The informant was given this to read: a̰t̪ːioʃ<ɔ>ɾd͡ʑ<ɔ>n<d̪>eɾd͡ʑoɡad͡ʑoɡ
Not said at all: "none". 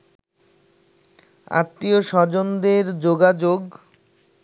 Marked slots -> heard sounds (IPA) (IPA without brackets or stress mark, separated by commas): ɔ, o, d̪